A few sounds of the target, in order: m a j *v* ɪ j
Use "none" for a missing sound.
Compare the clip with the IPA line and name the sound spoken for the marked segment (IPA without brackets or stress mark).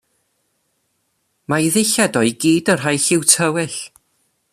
ð